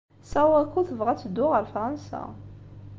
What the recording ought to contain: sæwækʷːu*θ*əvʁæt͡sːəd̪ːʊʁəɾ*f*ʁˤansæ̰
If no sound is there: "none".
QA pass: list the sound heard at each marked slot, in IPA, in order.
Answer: θ, f

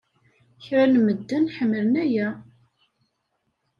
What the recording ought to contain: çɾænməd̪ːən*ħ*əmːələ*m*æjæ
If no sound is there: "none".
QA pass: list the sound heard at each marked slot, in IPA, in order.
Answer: ħ, n

